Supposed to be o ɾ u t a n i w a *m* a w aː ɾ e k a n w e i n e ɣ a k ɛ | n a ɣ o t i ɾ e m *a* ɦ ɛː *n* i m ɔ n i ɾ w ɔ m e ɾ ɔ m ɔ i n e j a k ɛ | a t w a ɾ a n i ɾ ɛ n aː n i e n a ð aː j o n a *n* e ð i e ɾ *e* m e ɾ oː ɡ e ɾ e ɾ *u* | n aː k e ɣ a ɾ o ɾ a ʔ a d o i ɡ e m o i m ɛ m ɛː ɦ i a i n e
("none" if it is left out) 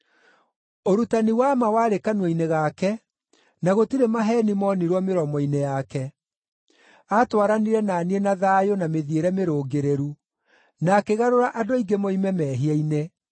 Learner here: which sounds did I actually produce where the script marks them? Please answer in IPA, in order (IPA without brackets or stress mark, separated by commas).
m, a, n, m, ɛ, u